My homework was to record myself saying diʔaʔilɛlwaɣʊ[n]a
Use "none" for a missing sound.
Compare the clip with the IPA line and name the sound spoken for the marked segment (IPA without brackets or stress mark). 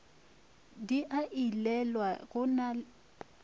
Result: n